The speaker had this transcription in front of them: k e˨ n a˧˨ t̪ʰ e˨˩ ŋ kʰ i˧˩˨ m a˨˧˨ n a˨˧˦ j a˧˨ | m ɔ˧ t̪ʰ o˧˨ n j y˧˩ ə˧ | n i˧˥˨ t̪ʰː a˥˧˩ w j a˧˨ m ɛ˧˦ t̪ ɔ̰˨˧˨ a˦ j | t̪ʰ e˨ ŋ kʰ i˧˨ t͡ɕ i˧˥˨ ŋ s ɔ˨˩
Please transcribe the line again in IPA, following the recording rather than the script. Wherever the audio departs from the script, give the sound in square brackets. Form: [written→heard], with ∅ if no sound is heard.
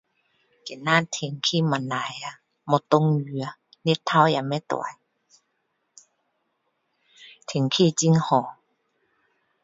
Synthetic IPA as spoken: k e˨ n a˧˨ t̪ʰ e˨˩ ŋ kʰ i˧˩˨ m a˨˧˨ n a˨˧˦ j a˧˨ | m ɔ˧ [t̪ʰ→t̪] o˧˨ [n→ŋ] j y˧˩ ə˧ | n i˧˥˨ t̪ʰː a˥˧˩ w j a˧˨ m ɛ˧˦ t̪ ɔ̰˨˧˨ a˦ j | t̪ʰ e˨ ŋ kʰ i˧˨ t͡ɕ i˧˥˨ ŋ [s→h] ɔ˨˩